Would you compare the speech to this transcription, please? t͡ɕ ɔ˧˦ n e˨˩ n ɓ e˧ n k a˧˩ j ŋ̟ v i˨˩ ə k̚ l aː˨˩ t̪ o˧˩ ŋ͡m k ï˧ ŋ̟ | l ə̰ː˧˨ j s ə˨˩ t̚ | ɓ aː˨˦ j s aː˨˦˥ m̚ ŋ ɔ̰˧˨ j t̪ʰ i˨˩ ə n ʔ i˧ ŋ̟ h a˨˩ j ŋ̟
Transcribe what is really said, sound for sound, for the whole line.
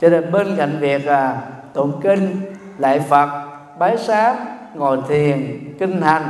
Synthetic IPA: t͡ɕ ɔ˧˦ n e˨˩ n ɓ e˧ n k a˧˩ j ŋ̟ v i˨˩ ə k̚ l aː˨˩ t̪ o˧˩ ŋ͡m k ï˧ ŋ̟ | l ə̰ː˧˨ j f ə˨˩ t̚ | ɓ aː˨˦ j s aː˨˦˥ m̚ ŋ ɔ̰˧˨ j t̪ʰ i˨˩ ə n k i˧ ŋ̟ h a˨˩ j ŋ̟